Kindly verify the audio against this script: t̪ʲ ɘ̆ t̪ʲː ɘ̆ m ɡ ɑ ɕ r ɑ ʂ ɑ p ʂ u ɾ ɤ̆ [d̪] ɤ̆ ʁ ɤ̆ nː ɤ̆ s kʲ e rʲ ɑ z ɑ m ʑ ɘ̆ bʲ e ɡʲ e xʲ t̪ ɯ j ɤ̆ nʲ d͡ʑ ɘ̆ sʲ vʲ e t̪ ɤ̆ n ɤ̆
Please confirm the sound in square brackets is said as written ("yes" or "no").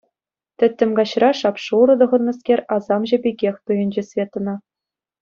yes